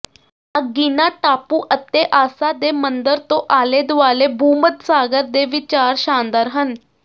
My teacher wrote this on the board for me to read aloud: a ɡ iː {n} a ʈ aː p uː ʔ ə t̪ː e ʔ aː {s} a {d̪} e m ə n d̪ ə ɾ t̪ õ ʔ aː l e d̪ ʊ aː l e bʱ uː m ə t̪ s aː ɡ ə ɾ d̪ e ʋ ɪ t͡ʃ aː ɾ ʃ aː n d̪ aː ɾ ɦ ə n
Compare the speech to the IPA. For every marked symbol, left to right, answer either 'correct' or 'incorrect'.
correct, correct, correct

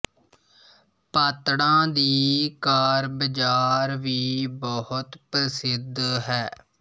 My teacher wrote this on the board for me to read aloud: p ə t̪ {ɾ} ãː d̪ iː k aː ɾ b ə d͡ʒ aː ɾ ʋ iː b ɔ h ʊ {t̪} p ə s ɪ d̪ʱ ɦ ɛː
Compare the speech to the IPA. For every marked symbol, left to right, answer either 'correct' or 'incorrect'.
incorrect, correct

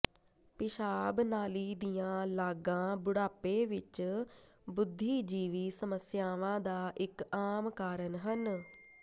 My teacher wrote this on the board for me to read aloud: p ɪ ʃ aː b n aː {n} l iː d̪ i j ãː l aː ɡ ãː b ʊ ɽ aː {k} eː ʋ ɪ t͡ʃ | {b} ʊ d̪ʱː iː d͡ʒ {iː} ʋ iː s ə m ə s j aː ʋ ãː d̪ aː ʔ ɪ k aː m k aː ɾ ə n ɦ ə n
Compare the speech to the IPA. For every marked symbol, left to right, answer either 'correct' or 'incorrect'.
incorrect, incorrect, correct, correct

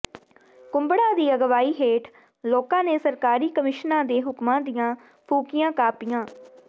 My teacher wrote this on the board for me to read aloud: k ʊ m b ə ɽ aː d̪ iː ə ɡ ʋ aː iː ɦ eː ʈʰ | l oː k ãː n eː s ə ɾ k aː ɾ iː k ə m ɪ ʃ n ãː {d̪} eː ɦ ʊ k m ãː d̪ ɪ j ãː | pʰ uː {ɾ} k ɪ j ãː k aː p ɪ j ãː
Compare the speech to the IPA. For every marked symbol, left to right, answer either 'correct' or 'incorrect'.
correct, incorrect

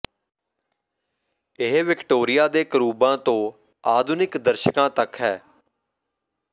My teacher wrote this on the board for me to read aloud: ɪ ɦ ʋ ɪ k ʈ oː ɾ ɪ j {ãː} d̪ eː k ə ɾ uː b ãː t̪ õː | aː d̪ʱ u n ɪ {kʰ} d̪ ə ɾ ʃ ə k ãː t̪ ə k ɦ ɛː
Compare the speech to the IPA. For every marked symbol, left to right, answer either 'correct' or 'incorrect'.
incorrect, incorrect

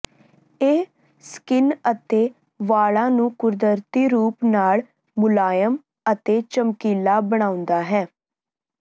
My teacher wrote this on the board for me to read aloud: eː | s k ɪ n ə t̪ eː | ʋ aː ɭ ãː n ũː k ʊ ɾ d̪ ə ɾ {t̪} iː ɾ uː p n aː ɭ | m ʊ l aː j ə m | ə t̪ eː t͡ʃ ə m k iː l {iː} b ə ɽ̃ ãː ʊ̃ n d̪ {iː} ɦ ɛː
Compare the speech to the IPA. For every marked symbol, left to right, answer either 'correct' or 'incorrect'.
correct, incorrect, incorrect

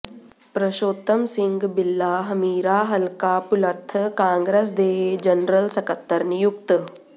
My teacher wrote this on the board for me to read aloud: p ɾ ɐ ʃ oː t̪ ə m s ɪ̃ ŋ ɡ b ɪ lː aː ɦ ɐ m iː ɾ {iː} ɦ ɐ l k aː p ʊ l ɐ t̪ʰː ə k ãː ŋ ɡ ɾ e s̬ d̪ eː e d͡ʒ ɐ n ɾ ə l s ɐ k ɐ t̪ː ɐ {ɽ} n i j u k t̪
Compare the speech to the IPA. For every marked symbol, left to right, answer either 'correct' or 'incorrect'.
incorrect, incorrect

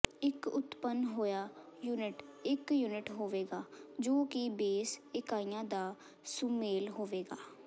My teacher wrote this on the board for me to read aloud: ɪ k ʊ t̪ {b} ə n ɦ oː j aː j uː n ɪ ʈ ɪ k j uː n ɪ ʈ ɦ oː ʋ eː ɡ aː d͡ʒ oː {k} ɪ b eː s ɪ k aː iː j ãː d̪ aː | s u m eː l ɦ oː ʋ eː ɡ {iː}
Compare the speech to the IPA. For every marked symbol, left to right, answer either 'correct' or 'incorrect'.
incorrect, correct, incorrect

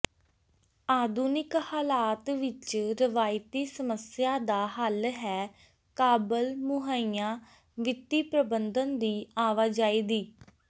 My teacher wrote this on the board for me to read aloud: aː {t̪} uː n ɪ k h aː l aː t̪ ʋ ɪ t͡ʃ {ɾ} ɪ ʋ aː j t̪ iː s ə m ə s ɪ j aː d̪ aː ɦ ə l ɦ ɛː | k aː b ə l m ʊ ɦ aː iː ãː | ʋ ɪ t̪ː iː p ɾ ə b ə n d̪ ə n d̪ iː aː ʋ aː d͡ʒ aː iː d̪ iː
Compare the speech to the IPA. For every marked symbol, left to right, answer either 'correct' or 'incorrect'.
incorrect, correct

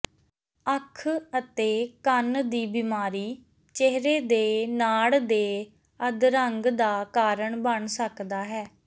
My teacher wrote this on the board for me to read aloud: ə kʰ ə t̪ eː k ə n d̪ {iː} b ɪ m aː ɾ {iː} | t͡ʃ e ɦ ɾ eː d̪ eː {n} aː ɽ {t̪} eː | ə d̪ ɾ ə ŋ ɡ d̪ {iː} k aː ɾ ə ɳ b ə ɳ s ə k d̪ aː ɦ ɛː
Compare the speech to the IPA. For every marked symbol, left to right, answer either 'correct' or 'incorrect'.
correct, correct, correct, incorrect, incorrect

